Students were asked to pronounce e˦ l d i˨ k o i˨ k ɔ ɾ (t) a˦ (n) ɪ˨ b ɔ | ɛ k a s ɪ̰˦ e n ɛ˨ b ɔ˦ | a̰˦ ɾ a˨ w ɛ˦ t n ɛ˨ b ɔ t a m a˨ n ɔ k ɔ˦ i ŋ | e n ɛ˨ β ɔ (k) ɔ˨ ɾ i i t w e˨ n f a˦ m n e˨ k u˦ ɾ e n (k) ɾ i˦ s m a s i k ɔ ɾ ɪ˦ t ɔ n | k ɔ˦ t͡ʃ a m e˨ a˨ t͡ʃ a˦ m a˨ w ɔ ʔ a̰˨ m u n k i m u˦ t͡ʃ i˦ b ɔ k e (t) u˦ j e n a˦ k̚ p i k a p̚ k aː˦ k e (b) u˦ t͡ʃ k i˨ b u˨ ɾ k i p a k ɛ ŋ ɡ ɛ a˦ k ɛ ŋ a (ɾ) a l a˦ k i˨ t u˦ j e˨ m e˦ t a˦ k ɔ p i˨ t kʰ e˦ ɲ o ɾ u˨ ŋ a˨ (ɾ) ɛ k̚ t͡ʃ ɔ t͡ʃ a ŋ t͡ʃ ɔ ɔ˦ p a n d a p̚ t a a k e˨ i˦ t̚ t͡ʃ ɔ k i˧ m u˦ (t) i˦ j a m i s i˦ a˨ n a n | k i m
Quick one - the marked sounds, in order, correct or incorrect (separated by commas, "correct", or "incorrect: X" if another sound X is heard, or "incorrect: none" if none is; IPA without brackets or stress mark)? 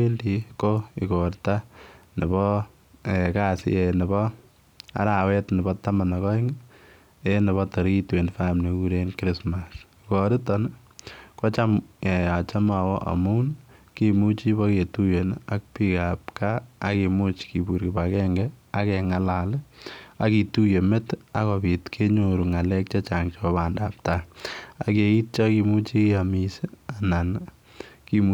correct, correct, incorrect: t, correct, correct, incorrect: m, incorrect: l, incorrect: l, incorrect: t͡ʃ